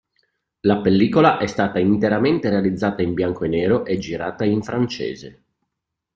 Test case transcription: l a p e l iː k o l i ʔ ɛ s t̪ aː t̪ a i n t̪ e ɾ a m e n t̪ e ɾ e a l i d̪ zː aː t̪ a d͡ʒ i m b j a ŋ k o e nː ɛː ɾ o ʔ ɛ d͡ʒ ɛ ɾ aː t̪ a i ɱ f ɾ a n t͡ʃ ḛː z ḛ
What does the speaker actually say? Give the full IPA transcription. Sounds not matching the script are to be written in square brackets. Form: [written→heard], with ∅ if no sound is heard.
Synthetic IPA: l a p e [l→lː] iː k o l [i→a] ʔ ɛ s t̪ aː t̪ a i n t̪ e ɾ a m e n t̪ e ɾ e a l i d̪ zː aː t̪ a [d͡ʒ→∅] i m b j a ŋ k o e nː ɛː ɾ o ʔ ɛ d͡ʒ [ɛ→i] ɾ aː t̪ a i ɱ f ɾ a n t͡ʃ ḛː z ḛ